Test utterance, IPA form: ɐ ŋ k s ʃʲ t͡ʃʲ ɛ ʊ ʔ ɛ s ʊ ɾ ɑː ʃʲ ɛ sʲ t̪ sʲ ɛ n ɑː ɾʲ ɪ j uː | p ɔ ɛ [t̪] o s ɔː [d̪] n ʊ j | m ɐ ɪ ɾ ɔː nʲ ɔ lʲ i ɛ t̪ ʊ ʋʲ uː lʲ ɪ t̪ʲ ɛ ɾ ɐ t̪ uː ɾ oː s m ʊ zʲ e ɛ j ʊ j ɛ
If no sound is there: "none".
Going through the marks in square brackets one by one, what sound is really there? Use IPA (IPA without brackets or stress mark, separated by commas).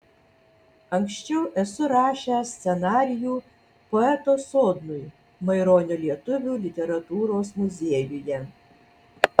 t̪, d̪